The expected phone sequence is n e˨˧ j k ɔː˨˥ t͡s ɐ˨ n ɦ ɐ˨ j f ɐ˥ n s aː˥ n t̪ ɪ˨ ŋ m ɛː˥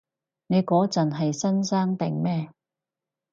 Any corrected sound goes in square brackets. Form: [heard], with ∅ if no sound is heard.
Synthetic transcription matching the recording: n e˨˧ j k ɔː˨˥ t͡s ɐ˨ n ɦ ɐ˨ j [s] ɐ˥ n s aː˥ [ŋ] t̪ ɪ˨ ŋ m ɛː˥